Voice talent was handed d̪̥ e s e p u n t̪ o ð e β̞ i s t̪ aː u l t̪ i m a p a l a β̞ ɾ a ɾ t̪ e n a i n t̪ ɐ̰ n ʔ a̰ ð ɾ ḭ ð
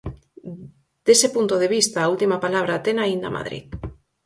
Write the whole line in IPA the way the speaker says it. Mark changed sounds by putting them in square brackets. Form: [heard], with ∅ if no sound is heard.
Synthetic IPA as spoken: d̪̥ e s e p u n t̪ o ð e β̞ i s t̪ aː u l t̪ i m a p a l a β̞ ɾ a [∅] t̪ e n a i n [d̪] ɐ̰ [m] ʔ a̰ ð ɾ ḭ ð